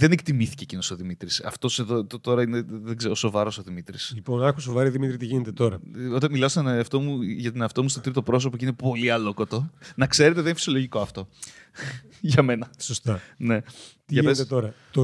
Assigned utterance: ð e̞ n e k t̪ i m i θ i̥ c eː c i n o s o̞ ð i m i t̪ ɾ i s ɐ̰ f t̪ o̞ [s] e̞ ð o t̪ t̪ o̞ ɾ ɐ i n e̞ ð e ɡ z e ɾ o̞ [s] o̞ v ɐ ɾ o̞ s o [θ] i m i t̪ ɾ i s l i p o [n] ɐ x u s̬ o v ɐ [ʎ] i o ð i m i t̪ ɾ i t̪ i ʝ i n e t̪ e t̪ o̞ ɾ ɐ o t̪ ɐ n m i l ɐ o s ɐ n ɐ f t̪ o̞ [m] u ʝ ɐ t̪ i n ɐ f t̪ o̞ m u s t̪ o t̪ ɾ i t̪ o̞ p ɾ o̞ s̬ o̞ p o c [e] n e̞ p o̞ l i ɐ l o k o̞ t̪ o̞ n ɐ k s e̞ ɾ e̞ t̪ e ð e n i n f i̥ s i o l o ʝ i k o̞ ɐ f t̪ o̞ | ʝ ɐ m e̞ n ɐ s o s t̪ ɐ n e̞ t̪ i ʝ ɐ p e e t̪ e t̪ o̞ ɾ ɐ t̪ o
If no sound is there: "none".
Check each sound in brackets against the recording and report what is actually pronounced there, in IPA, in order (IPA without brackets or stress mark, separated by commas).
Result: s, s, ð, n, ɾ, m, i